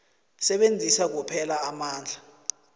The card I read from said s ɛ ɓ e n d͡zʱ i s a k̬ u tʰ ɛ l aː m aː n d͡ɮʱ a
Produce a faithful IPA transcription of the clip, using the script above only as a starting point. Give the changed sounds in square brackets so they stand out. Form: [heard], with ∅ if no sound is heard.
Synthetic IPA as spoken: s ɛ ɓ e n d͡zʱ i s a k̬ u [pʰ] ɛ l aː m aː n d͡ɮʱ a